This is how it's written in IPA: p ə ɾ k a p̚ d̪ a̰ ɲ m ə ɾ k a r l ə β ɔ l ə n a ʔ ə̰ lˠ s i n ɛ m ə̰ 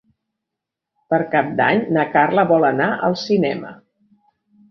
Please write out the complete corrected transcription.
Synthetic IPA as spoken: p ə ɾ k a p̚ d̪ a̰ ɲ n ə k a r l ə β ɔ l ə n a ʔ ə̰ lˠ s i n ɛ m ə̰